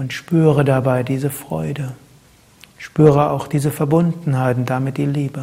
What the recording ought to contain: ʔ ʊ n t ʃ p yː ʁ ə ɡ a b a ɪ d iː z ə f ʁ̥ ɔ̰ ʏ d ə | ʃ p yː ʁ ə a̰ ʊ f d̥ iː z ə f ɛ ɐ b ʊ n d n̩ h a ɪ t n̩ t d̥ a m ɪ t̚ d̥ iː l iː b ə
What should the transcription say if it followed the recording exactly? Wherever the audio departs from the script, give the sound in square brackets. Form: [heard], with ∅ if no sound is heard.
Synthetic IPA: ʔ ʊ n t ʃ p yː ʁ ə [d] a b a ɪ d iː z ə f ʁ̥ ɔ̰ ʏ d ə | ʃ p yː ʁ ə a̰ ʊ [x] d̥ iː z ə f ɛ ɐ b ʊ n d n̩ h a ɪ t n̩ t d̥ a m ɪ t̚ d̥ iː l iː b ə